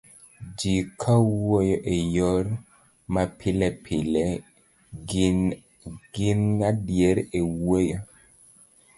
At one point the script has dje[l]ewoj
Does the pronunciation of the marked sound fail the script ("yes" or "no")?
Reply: yes